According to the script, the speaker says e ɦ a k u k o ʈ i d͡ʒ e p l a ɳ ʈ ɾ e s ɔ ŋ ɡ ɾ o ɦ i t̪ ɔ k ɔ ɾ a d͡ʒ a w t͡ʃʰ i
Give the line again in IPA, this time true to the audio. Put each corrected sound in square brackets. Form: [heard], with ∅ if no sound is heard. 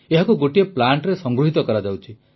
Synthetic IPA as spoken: e ɦ a k u [ɡ] o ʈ i [∅] e p l a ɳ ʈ ɾ e s ɔ ŋ ɡ ɾ [u] ɦ i t̪ ɔ k ɔ ɾ a d͡ʒ a w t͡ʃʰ i